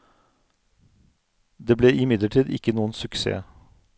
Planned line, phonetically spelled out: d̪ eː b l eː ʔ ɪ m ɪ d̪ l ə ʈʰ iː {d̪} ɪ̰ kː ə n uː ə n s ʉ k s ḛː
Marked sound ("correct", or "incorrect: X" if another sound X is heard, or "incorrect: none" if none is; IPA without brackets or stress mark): correct